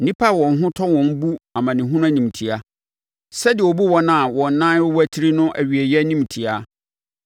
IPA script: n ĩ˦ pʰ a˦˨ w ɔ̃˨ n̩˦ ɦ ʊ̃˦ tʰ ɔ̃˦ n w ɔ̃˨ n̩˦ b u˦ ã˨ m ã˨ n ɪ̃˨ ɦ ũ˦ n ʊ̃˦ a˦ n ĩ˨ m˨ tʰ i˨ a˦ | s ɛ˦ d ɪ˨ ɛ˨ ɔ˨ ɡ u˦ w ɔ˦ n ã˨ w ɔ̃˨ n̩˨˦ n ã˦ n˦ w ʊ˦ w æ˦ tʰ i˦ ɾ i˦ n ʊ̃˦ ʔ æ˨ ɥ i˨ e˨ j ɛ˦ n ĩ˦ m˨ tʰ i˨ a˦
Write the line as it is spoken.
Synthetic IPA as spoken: n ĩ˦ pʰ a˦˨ w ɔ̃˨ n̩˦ ɦ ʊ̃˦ tʰ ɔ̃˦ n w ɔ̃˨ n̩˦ b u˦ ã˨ m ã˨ n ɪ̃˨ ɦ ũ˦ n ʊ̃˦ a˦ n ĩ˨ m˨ tʰ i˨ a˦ | s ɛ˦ d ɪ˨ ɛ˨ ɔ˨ b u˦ w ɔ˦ n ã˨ w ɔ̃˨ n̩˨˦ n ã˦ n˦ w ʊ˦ w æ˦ tʰ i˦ ɾ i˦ n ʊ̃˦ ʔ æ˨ ɥ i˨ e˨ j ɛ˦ n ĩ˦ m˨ tʰ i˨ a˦